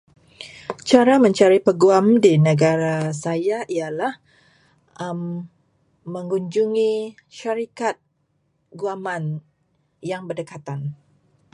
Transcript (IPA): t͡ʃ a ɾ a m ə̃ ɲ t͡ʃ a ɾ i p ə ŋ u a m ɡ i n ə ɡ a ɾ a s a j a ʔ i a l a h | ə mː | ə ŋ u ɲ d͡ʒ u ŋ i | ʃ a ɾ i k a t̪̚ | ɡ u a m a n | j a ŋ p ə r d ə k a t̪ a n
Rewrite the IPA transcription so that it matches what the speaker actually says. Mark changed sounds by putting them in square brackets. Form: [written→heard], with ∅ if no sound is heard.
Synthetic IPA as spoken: t͡ʃ a ɾ a m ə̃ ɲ t͡ʃ a ɾ i p ə [ŋ→ɡ] u a m [ɡ→d] i n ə ɡ a ɾ a s a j a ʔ i a l a h | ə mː | ə ŋ u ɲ d͡ʒ u ŋ i | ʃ a ɾ i k a t̪̚ | ɡ u a m a n | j a ŋ [p→b] ə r d ə k a t̪ a n